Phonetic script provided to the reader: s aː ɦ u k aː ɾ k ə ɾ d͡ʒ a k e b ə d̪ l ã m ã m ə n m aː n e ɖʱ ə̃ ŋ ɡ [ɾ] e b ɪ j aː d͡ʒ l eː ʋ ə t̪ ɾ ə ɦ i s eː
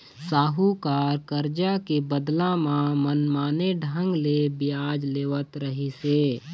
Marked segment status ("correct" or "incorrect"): incorrect